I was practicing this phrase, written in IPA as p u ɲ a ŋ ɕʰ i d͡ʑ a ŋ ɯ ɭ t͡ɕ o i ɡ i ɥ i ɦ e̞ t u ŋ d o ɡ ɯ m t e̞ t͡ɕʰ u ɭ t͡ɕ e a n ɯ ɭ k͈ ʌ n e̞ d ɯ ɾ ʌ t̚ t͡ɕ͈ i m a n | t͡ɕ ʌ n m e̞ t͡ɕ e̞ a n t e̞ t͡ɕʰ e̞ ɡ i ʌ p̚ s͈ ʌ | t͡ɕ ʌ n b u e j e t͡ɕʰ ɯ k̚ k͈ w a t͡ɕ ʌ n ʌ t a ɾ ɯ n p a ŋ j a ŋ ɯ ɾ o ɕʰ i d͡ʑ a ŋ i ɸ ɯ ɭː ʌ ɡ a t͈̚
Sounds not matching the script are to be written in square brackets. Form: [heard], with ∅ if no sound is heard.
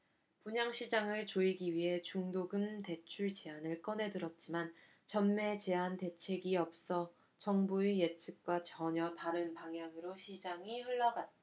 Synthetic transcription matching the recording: p u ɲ a ŋ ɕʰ i d͡ʑ a ŋ ɯ ɭ t͡ɕ o i ɡ i ɥ i ɦ e̞ [t͡ɕ] u ŋ d o ɡ ɯ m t e̞ t͡ɕʰ u ɭ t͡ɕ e a n ɯ ɭ k͈ ʌ n e̞ d ɯ ɾ ʌ t̚ t͡ɕ͈ i m a n | t͡ɕ ʌ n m e̞ t͡ɕ e̞ a n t e̞ t͡ɕʰ e̞ ɡ i ʌ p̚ s͈ ʌ | t͡ɕ ʌ [ŋ] b u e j e t͡ɕʰ ɯ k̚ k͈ w a t͡ɕ ʌ [ɲ] ʌ t a ɾ ɯ n p a ŋ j a ŋ ɯ ɾ o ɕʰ i d͡ʑ a ŋ i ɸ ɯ ɭː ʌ ɡ a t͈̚